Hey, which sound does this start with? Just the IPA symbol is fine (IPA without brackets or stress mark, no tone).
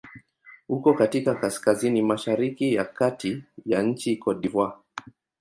h